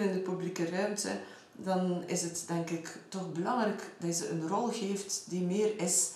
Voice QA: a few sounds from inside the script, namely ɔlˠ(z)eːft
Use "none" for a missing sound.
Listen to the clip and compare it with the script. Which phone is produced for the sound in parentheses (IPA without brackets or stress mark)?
ɣ